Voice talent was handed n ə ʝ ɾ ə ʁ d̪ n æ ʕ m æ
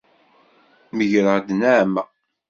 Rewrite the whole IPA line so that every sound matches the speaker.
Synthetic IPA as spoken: m ə ʝ ɾ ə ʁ d̪ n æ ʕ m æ